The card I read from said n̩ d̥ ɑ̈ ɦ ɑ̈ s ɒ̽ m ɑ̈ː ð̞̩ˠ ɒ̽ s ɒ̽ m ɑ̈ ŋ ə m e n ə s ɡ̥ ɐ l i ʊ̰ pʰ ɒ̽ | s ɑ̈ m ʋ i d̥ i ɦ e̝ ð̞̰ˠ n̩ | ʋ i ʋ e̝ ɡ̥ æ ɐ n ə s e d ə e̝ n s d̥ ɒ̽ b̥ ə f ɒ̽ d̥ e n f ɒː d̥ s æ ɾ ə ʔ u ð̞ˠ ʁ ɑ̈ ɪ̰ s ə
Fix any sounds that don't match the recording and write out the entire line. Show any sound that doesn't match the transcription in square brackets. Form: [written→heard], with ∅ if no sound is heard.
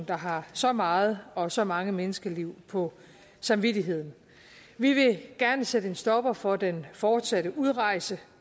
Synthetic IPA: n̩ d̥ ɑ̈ ɦ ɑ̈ s ɒ̽ m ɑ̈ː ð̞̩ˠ ɒ̽ s ɒ̽ m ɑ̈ ŋ ə m e n ə s ɡ̥ ɐ l i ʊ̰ pʰ ɒ̽ | s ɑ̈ m ʋ i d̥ i ɦ e̝ ð̞̰ˠ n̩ | ʋ i ʋ e̝ ɡ̥ æ ɐ n ə s e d ə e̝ n s d̥ ɒ̽ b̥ [ə→ɐ] f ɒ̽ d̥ e n f ɒː d̥ s æ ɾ ə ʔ u ð̞ˠ ʁ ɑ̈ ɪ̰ s ə